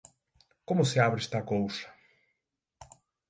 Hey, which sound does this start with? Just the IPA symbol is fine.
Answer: k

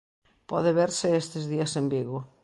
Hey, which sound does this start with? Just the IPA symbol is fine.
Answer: p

